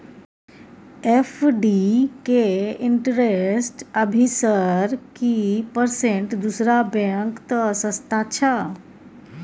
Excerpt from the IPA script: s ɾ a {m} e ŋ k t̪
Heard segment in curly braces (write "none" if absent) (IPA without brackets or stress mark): b